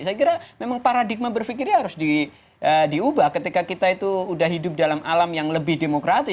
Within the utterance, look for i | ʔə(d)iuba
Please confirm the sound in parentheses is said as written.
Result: yes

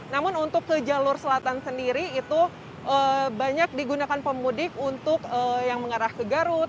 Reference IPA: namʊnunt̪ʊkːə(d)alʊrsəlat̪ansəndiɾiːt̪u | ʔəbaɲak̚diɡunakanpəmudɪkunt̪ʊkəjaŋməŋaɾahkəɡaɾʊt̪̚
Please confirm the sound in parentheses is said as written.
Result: no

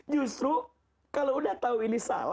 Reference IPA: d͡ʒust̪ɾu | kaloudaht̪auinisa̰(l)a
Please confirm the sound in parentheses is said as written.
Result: yes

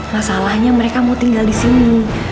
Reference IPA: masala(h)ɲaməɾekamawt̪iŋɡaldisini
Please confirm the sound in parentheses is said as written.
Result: yes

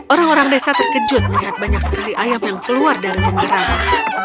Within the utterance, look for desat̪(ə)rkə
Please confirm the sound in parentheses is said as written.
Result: yes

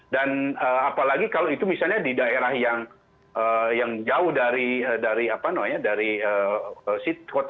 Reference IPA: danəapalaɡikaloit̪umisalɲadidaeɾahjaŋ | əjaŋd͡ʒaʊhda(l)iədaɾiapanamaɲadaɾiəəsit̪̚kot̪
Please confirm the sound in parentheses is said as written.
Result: no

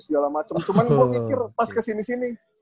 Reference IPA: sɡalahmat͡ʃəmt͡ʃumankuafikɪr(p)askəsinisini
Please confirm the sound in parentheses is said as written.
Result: yes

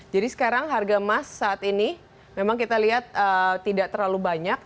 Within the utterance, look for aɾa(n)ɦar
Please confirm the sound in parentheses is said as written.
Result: no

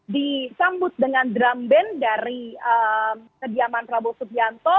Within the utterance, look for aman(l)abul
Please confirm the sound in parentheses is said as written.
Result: no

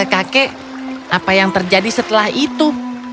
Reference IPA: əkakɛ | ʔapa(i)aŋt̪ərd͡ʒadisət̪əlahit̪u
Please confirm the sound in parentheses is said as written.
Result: no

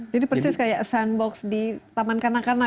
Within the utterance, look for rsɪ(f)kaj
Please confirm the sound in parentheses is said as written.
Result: no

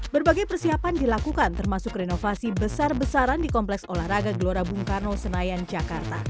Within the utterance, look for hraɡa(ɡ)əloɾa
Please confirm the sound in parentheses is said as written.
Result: yes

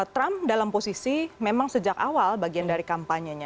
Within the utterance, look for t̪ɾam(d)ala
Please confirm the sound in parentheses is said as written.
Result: yes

